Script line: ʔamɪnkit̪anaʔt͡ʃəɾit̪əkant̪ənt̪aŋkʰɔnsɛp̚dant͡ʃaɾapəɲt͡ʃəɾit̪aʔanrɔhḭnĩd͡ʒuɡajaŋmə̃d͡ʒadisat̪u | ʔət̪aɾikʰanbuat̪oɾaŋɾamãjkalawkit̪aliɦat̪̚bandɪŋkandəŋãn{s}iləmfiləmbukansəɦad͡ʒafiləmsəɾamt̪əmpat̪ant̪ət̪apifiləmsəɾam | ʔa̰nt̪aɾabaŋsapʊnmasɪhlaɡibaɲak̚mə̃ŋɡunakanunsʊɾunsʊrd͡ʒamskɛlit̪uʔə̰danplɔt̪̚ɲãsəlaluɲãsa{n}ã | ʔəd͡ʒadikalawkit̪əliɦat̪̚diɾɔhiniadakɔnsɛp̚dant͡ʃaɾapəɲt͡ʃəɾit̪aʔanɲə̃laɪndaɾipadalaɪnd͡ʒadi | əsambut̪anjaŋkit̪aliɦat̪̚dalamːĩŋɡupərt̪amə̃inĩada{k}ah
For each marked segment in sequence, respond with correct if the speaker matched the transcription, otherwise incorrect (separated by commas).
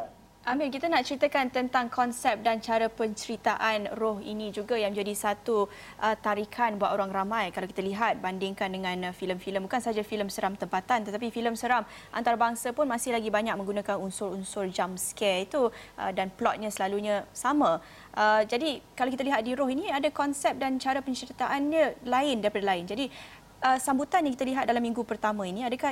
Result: incorrect, incorrect, correct